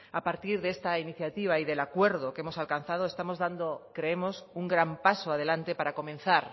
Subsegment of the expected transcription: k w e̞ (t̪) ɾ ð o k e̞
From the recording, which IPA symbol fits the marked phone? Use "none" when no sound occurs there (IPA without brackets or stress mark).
none